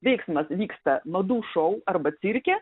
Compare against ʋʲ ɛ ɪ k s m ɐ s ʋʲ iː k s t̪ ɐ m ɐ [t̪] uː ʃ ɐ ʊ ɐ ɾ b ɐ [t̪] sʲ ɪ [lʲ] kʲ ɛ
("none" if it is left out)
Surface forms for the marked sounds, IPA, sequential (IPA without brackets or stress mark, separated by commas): d̪, t̪, ɾʲ